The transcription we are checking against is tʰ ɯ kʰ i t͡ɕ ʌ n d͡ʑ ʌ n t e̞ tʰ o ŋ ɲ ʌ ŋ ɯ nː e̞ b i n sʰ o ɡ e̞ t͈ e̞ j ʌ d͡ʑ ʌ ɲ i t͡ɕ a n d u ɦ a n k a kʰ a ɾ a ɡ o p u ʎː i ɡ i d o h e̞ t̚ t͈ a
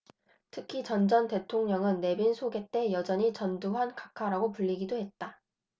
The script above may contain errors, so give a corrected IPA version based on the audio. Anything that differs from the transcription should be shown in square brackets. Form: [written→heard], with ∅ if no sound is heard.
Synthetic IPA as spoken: tʰ ɯ kʰ i t͡ɕ ʌ n d͡ʑ ʌ n t e̞ tʰ o ŋ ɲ ʌ ŋ ɯ nː e̞ b i n sʰ o ɡ e̞ t͈ e̞ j ʌ d͡ʑ ʌ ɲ i t͡ɕ [a→ʌ] n d u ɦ a n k a kʰ a ɾ a ɡ o p u ʎː i ɡ i d o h e̞ t̚ t͈ a